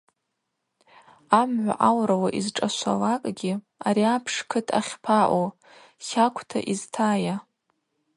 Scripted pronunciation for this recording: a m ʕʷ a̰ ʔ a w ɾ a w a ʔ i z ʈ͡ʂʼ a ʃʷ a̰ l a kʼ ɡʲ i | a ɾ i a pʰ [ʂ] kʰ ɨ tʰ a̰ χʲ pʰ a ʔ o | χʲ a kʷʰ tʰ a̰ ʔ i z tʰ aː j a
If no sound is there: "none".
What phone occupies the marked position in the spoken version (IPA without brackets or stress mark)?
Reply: ʂ